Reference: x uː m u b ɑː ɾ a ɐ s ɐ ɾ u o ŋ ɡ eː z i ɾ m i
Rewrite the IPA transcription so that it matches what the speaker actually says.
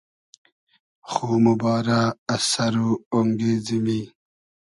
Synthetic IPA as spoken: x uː m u b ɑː ɾ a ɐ s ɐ ɾ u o ŋ ɡ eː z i m i